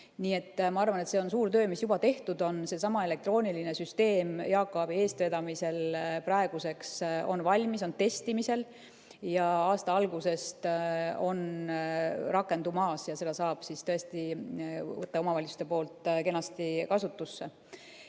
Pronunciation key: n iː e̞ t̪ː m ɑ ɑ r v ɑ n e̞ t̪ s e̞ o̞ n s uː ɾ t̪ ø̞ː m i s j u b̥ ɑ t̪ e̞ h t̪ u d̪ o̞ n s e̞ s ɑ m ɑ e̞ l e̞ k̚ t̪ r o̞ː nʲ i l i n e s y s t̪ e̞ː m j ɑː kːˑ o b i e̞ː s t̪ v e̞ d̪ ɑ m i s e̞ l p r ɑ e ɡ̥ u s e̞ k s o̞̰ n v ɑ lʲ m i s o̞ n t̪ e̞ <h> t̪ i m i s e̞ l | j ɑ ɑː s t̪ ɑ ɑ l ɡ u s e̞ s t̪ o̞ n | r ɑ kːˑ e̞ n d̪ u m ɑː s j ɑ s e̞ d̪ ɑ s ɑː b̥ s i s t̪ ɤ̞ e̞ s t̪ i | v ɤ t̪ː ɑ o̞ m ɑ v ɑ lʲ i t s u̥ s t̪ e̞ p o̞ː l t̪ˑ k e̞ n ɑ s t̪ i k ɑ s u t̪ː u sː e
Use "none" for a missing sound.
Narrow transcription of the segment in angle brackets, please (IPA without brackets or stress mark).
s